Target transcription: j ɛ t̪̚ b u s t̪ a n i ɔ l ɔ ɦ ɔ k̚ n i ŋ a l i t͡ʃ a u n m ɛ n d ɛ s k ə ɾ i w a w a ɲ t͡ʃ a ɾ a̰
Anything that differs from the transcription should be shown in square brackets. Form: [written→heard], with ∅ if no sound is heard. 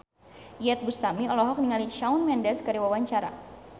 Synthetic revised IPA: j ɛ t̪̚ b u s t̪ a [n→m] i ɔ l ɔ ɦ ɔ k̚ n i ŋ a l i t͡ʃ a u n m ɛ n d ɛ s k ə ɾ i w a w a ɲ t͡ʃ a ɾ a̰